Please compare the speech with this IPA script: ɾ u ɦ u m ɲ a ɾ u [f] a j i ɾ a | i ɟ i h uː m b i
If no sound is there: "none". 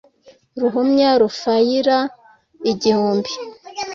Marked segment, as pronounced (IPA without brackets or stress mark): f